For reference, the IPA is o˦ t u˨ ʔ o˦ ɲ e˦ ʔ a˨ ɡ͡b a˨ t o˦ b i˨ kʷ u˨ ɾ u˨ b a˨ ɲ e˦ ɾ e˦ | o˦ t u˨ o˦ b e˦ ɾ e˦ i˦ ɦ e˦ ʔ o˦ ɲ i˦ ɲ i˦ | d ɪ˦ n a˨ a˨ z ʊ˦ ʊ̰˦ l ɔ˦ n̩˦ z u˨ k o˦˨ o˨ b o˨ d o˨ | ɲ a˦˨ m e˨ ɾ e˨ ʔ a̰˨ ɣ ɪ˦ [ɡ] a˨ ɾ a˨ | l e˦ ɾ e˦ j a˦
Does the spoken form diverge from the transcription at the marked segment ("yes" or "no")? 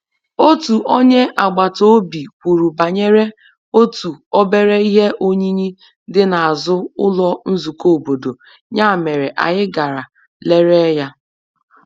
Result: no